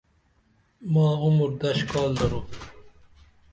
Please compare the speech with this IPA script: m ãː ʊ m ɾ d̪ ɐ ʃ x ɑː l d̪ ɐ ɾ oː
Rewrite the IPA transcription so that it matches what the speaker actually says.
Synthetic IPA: m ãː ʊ m ɾ d̪ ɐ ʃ k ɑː l d̪ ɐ ɾ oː